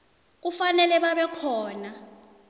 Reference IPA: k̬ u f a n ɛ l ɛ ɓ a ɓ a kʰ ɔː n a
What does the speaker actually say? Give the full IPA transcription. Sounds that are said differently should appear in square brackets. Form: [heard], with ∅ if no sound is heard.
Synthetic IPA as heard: k̬ u f a n ɛ l ɛ ɓ a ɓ [ɛ] kʰ ɔː n a